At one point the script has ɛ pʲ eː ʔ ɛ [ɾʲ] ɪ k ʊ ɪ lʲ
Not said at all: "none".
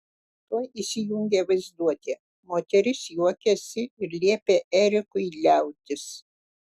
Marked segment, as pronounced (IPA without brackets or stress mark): ɾʲ